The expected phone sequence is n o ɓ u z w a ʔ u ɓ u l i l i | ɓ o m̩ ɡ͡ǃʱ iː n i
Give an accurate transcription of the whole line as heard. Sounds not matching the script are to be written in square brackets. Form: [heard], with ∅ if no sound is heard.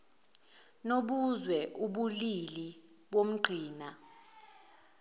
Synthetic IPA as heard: n o ɓ u z w [ɛ] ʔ u ɓ u l i l i | ɓ o m̩ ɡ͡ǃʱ iː n [a]